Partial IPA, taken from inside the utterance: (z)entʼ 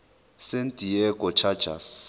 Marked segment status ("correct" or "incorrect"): incorrect